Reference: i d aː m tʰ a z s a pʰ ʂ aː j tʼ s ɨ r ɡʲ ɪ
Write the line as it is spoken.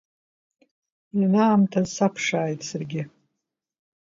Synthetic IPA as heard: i n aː m tʰ a z s a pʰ ʂ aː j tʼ s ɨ r ɡʲ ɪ

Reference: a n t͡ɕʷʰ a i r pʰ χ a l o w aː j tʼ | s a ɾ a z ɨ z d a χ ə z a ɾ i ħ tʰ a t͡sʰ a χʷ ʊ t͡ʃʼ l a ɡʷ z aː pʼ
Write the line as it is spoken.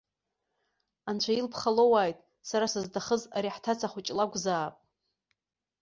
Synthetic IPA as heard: a n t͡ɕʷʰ a i l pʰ χ a l o w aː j tʼ | s a ɾ a s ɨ z d a χ ə z a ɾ i ħ tʰ a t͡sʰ a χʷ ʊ t͡ʃʼ l a ɡʷ z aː pʼ

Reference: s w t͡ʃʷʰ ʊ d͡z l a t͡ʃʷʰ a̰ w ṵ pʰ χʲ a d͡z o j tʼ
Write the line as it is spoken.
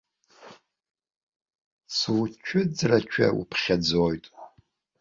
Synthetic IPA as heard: s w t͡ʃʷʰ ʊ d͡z r a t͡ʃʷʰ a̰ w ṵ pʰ χʲ a d͡z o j tʼ

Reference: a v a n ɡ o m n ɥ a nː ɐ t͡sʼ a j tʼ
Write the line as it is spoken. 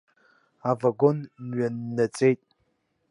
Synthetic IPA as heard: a v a ɡ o n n ɥ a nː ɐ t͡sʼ e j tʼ

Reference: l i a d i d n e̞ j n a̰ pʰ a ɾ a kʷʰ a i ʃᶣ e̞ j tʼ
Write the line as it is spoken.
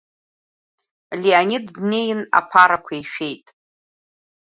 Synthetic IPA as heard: l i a n i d n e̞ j n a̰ pʰ a ɾ a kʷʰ a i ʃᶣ e̞ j tʼ

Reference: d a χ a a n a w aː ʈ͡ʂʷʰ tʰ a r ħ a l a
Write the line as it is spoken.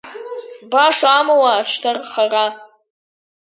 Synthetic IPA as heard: b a ʂ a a m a w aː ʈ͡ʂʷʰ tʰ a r χ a r a

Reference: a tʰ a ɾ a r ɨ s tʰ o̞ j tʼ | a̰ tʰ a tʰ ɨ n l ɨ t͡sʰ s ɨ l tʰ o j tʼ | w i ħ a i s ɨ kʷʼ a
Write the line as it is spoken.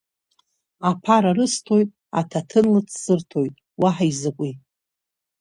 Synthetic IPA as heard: a pʰ a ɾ a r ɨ s tʰ o̞ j tʼ | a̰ tʰ a tʰ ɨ n l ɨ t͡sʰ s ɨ r tʰ o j tʼ | w a ħ a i z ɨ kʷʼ i

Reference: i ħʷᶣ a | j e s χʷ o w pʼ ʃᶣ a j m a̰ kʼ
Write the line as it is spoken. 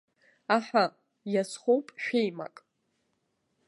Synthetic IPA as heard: a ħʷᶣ a | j a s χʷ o w pʼ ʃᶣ e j m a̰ kʼ

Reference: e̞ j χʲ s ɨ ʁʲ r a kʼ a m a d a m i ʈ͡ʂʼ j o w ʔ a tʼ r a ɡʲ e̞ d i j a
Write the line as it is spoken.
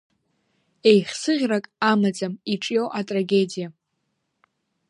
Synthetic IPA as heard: e̞ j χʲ s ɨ ʁʲ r a kʼ a m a d͡z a m i ʈ͡ʂʼ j o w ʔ a tʼ r a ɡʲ e̞ d i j a

